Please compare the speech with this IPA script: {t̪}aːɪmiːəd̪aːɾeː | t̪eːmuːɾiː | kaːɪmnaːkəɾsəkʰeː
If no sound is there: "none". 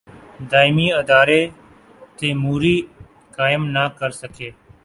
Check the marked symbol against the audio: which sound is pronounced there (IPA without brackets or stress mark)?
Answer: d̪